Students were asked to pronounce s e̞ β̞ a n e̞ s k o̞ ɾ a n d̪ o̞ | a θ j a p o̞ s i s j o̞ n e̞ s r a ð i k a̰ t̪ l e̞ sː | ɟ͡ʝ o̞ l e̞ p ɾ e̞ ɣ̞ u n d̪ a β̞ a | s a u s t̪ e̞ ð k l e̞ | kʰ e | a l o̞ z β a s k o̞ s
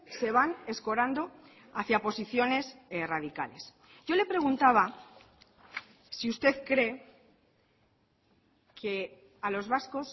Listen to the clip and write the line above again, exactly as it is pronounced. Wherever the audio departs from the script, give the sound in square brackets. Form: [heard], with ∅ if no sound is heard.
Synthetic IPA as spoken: s e̞ β̞ a n e̞ s k o̞ ɾ a n d̪ o̞ | a θ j a p o̞ s i [θ] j o̞ n e̞ s r a ð i k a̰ [∅] l e̞ [s] | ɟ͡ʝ o̞ l e̞ p ɾ e̞ ɣ̞ u n [t̪] a β̞ a | s [i] u s t̪ e̞ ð k [ɾ] e̞ | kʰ e | a l o̞ z β a s k o̞ s